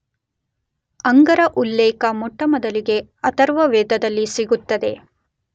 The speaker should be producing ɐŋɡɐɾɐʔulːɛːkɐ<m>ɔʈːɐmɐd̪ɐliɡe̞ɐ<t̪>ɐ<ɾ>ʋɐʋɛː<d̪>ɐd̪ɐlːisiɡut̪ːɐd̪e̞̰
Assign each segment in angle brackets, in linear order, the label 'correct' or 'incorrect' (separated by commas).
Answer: correct, correct, correct, correct